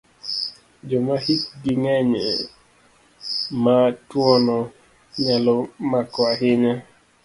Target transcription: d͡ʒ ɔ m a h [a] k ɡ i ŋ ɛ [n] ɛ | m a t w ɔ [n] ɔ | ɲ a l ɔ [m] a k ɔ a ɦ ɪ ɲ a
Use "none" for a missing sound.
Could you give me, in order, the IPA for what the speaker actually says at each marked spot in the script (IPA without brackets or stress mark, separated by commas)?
i, ɲ, n, m